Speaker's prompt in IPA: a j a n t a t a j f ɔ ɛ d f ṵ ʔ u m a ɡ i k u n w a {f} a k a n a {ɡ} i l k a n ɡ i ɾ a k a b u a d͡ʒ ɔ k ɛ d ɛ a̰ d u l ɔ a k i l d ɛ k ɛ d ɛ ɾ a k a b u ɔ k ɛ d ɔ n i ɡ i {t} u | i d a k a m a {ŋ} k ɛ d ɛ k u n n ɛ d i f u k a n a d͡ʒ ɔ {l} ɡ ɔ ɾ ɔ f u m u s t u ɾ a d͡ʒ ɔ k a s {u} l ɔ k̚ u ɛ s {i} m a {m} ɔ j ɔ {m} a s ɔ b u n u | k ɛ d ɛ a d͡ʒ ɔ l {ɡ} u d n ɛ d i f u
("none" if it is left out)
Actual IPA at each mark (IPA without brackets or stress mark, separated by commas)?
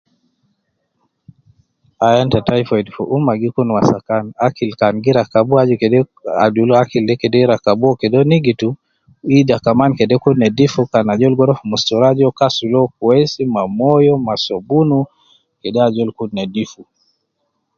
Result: s, k, t, n, l, u, i, m, m, k